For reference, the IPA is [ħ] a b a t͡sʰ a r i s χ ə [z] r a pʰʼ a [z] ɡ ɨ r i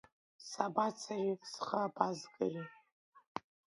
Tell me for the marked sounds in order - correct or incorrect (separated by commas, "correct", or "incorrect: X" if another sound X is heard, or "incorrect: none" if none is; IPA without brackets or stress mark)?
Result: incorrect: s, incorrect: none, correct